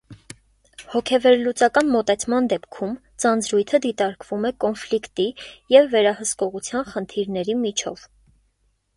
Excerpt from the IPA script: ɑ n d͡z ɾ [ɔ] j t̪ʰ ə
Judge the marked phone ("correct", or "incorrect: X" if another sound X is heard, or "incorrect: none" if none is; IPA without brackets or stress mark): incorrect: u